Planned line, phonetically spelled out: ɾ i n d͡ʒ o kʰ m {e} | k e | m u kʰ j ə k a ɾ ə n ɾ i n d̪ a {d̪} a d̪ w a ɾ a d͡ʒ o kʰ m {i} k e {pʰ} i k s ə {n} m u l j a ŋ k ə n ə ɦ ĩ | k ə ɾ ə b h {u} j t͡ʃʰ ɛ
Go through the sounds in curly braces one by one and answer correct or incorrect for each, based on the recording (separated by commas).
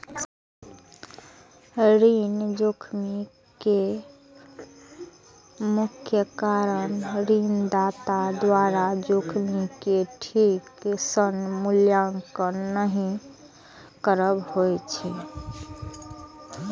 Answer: incorrect, incorrect, correct, incorrect, correct, incorrect